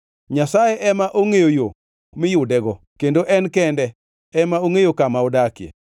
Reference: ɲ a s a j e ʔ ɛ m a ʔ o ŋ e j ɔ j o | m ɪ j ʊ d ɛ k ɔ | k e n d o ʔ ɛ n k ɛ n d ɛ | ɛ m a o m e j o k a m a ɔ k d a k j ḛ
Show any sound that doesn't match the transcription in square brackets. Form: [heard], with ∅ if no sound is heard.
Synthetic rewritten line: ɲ a s a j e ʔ ɛ m a ʔ o ŋ e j [o] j o | m ɪ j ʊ d ɛ [ɡ] ɔ | k e n d o ʔ ɛ n k ɛ n d ɛ | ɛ m a o [ŋ] e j o k a m a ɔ [∅] d a k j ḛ

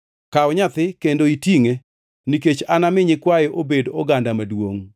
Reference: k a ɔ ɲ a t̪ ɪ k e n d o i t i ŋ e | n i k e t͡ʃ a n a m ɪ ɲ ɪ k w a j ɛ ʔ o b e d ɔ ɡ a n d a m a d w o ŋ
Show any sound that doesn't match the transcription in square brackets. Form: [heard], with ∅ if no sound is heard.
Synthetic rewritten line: k a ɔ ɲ a t̪ ɪ k e n d o i t i ŋ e | n i k e t͡ʃ a n a m ɪ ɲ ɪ k w a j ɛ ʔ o b e d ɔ ɡ a n d a m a d w o ŋ

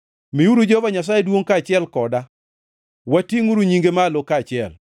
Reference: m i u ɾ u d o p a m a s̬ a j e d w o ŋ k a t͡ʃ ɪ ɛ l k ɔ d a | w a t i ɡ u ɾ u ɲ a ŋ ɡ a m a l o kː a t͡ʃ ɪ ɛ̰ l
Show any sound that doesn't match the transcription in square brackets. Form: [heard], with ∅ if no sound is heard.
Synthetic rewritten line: m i u ɾ u [d͡ʒ] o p a [ɲ] a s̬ a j e d w o ŋ k a t͡ʃ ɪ ɛ l k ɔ d a | w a t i [ŋ] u ɾ u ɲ [i] ŋ ɡ [e] m a l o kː a t͡ʃ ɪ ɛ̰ l

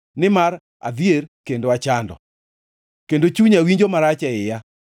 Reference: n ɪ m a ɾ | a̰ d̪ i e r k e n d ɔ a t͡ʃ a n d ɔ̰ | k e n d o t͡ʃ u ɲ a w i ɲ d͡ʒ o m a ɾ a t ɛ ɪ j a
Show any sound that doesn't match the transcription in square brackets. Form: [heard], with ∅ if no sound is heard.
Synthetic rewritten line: n ɪ m a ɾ | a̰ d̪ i e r k e n d [o] a t͡ʃ a n d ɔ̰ | k e n d o t͡ʃ u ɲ a w i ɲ d͡ʒ o m a ɾ a [t͡ʃ] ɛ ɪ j a

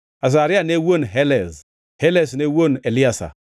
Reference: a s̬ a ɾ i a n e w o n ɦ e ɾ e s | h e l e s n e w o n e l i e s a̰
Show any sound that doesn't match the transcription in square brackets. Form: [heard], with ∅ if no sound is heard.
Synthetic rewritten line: a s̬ a ɾ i a n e w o n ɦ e [l] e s | h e l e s n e w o n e l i [a] s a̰

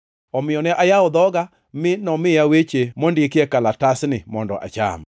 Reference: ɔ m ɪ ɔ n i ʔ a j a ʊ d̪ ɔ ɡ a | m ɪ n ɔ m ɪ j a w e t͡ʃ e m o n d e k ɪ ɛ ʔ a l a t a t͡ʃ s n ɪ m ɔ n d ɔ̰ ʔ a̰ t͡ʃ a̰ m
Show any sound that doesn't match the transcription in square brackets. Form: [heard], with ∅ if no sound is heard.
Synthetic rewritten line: ɔ m ɪ ɔ n [ɛ] ʔ a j a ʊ d̪ ɔ ɡ a | m ɪ n ɔ m ɪ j a w e t͡ʃ e m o n d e k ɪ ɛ [k] a l a t a [∅] s n ɪ m ɔ n d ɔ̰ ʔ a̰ t͡ʃ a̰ m

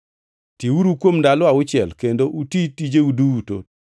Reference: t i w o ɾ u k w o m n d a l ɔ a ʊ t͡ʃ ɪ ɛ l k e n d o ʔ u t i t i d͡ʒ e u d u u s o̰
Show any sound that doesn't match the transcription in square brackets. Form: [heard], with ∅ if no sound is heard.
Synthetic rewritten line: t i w [u] ɾ u k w o m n d a l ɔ a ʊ t͡ʃ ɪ ɛ l k e n d o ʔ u t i t i d͡ʒ e u d u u [t] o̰

